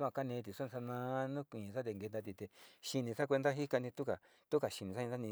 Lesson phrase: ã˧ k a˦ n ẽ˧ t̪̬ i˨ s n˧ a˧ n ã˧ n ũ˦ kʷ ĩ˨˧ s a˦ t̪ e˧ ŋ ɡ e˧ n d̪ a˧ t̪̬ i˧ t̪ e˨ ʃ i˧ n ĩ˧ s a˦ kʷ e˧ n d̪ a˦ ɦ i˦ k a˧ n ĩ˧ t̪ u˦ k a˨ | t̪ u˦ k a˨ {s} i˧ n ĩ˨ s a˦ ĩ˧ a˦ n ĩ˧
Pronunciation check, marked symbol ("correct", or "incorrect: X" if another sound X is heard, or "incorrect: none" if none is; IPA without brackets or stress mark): incorrect: ʃ